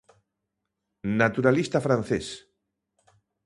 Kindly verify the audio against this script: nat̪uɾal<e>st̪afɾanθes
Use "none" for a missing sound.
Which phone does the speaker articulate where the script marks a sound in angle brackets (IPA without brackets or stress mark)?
i